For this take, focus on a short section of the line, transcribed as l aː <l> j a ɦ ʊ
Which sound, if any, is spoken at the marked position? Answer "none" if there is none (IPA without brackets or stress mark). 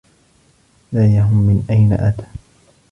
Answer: none